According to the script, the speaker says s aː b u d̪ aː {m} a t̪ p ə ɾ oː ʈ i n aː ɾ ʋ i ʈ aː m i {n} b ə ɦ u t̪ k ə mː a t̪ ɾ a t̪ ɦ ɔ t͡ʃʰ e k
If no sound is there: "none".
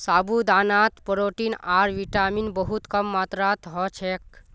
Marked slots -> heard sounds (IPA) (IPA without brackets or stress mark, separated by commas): n, n